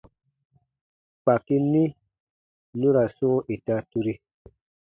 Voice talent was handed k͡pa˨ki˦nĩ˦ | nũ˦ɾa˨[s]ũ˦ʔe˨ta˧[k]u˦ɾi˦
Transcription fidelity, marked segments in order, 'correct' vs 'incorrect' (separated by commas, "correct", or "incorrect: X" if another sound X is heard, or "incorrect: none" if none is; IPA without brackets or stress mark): correct, incorrect: t